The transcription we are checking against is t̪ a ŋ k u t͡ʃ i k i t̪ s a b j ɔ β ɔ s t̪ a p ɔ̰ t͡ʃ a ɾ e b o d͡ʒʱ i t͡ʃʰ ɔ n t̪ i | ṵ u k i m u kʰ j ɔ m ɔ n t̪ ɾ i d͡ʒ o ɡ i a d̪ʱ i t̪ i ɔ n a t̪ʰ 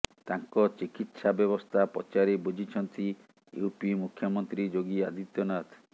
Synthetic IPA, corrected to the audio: t̪ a ŋ k ɔ t͡ʃ i k i t̪ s a b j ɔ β ɔ s t̪ʰ a p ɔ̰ t͡ʃ a ɾ e b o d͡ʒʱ i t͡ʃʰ ɔ n t̪ i | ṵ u p i m u kʰ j ɔ m ɔ n t̪ ɾ i d͡ʒ o ɡ i a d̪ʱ i t̪ j ɔ n a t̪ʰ